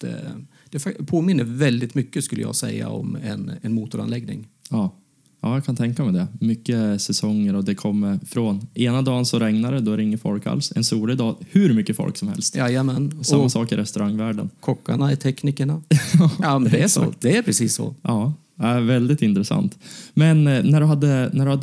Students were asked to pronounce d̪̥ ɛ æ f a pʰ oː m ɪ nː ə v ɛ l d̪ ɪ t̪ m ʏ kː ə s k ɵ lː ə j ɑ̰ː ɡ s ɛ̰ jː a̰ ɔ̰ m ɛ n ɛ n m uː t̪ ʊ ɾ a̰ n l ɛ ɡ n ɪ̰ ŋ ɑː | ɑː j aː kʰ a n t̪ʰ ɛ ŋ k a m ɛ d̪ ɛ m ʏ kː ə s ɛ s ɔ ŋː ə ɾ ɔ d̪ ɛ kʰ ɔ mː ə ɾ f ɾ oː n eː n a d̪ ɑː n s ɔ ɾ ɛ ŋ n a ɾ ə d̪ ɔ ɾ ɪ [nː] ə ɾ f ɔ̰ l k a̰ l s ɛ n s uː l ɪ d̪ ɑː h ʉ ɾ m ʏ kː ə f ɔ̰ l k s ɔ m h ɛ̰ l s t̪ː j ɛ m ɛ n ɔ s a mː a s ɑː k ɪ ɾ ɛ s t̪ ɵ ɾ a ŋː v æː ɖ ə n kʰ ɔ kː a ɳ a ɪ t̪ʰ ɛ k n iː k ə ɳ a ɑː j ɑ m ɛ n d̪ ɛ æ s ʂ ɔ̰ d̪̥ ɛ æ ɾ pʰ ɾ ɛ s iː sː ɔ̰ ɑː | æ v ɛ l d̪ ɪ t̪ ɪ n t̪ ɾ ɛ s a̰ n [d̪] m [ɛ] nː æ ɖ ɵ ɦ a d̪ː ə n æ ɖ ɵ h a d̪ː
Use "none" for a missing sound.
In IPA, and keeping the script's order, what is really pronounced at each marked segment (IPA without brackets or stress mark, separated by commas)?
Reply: ŋː, t̪, ɛ